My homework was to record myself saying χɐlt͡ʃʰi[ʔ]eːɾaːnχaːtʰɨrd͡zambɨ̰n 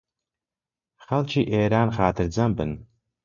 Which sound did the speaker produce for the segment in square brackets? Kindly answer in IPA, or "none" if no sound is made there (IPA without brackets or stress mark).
ʔ